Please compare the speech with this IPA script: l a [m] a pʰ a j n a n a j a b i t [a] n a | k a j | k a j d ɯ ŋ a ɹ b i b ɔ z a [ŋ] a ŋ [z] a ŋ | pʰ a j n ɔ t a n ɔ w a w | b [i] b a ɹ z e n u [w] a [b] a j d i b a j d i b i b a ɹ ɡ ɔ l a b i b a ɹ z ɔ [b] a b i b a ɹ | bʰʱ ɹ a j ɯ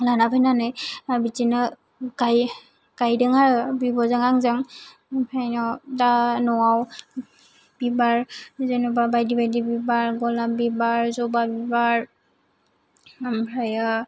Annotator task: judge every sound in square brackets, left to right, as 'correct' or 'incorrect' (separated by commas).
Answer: incorrect, incorrect, correct, correct, correct, incorrect, correct, correct